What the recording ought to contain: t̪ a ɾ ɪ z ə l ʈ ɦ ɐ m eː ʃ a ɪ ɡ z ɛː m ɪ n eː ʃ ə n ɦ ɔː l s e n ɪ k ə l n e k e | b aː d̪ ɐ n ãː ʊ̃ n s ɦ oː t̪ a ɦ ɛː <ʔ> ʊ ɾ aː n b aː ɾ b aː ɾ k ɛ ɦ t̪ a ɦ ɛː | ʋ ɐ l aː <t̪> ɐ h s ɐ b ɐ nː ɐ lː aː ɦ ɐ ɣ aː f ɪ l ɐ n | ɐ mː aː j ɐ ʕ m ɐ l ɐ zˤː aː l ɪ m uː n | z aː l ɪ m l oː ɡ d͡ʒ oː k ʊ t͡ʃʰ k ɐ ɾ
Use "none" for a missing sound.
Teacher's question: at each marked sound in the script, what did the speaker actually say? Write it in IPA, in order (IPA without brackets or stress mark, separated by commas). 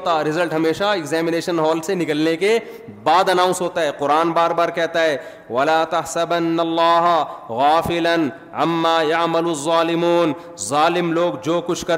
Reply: q, t̪